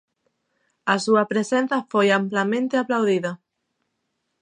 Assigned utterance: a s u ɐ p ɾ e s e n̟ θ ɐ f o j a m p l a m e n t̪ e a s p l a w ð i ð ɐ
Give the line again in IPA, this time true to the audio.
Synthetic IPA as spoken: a s u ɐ p ɾ e s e n̟ θ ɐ f o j a m p l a m ẽ n t̪ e a p l a w ð i ð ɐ